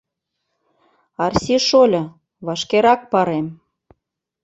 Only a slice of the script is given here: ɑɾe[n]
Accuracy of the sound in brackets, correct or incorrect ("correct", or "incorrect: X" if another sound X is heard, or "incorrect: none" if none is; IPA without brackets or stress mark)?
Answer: incorrect: m